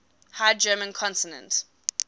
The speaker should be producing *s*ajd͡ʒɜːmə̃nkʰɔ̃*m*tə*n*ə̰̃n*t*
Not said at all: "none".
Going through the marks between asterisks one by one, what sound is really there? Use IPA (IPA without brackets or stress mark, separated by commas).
h, n, n, t